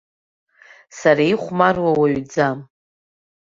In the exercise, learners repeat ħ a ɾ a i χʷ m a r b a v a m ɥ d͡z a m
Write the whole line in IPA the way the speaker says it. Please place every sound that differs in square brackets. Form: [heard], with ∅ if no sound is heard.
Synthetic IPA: [s] a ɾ a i χʷ m a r [w] a [w] a [∅] ɥ d͡z a m